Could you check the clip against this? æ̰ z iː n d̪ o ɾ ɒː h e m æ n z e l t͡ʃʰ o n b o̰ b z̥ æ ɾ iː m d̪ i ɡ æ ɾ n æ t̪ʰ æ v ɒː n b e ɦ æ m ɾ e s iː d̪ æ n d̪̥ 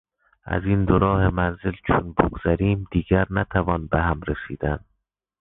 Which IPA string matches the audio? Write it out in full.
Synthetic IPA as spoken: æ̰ z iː n d̪ o ɾ ɒː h e m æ n z e l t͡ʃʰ o n b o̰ ɡ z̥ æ ɾ iː m d̪ iː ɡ æ ɾ n æ t̪ʰ æ v ɒː n b e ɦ æ m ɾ e s iː d̪ æ n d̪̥